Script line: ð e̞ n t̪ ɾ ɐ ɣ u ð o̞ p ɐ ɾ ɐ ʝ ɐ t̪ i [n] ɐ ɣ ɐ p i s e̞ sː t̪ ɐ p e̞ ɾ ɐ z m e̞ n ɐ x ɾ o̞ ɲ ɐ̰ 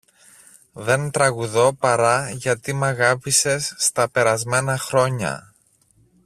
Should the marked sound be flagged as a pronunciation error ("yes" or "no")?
yes